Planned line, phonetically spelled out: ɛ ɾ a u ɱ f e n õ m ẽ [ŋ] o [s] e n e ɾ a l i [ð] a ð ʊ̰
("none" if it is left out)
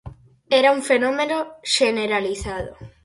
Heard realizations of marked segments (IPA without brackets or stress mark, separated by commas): n, ʃ, θ